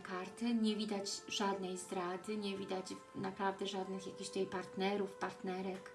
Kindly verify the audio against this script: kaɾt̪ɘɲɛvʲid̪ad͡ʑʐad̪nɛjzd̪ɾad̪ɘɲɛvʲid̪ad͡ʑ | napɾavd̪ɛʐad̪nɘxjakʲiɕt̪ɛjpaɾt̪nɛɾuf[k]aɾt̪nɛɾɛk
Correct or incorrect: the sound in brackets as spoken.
incorrect: p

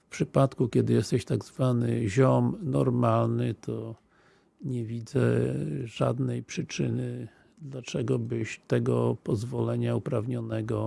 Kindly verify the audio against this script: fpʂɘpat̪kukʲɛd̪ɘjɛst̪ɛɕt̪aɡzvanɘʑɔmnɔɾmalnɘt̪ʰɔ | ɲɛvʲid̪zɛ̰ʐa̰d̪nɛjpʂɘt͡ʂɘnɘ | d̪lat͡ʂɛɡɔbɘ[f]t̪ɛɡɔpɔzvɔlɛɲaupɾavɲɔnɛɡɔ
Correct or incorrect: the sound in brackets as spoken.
incorrect: ɕ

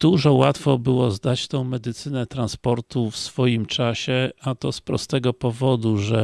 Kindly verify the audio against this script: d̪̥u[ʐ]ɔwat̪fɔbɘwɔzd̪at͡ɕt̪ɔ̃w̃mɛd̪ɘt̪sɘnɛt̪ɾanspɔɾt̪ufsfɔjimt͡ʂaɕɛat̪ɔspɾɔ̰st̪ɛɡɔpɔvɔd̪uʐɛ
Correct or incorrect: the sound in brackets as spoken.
correct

